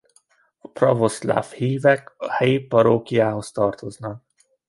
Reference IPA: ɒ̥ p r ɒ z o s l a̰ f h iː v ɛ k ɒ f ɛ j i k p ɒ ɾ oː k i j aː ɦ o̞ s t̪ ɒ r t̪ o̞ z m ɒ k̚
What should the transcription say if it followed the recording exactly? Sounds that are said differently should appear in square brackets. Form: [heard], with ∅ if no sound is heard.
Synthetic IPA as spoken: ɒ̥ p r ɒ [v] o s l a̰ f h iː v ɛ k ɒ [h] ɛ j i [∅] p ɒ ɾ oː k i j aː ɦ o̞ s t̪ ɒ r t̪ o̞ z [n] ɒ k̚